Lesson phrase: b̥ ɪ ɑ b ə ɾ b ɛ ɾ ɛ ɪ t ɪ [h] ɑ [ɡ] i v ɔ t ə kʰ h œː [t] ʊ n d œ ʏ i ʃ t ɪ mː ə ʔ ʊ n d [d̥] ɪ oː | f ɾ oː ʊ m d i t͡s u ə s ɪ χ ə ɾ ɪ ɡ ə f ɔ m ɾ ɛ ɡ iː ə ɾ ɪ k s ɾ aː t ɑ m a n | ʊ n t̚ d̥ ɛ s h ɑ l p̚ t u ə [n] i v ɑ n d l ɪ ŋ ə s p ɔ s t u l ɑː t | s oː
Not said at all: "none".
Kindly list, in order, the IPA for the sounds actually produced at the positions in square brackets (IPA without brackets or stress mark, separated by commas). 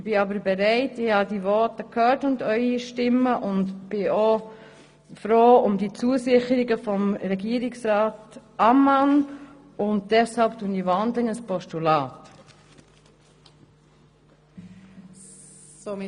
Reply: h, d, t, b̥, n